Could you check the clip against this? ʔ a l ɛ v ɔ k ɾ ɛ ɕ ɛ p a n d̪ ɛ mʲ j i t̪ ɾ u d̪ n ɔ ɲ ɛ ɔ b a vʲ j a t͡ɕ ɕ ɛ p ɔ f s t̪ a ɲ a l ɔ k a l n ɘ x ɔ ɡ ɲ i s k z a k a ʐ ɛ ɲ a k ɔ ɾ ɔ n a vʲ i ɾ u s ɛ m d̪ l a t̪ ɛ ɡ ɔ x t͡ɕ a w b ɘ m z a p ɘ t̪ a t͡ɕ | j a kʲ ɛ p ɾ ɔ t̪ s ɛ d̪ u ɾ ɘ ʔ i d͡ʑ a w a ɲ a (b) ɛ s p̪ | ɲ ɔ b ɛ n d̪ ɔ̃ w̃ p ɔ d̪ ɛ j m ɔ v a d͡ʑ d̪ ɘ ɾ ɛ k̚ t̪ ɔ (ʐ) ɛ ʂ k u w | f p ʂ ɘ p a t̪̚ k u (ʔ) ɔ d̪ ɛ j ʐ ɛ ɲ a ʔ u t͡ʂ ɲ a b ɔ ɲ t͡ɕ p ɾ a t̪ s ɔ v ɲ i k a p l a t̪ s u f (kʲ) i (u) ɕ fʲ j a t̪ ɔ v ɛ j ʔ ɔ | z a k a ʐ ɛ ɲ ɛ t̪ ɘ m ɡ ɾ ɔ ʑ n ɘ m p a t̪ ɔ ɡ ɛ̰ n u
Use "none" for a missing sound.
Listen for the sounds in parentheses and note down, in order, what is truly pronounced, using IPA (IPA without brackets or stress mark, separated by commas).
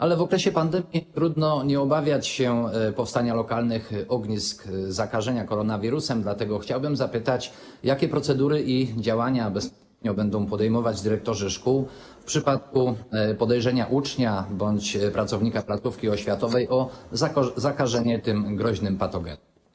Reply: b, ʐ, p, kʲ, ɔ